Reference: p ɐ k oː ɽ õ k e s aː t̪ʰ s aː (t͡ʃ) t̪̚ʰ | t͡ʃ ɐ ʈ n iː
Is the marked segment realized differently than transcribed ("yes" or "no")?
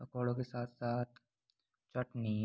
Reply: yes